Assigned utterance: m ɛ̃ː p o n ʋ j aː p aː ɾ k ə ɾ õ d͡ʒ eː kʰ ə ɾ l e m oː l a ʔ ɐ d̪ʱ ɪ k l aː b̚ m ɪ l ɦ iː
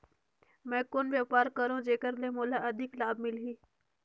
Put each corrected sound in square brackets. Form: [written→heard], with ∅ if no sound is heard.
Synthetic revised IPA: m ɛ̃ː [p→k] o n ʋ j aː p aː ɾ k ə ɾ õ d͡ʒ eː [kʰ→k] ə ɾ l e m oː l a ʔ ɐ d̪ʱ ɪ k l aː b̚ m ɪ l ɦ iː